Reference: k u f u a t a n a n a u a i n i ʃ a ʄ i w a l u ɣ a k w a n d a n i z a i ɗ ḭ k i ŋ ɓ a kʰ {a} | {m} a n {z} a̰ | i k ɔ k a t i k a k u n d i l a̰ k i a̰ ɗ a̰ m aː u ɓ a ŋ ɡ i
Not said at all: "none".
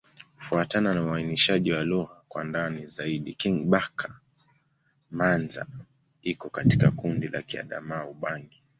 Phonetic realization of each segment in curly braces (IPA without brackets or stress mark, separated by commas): a, m, z